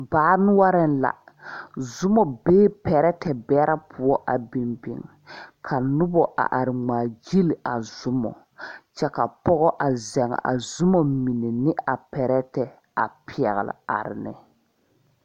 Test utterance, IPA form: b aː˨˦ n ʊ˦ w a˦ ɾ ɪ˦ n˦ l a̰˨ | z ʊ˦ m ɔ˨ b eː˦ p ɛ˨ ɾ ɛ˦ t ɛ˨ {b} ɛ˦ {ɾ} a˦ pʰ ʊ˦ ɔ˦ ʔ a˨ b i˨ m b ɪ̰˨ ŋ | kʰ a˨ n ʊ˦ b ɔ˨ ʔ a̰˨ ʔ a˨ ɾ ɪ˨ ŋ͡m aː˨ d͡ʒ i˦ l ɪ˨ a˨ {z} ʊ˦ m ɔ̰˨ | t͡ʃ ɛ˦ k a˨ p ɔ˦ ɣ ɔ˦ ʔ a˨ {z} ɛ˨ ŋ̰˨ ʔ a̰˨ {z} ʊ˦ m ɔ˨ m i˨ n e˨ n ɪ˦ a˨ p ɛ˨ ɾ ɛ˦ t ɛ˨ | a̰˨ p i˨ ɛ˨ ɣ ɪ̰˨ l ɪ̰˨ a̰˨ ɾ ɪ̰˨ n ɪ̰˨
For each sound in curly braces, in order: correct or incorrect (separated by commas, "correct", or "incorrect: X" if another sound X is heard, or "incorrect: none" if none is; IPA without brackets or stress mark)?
correct, correct, correct, correct, correct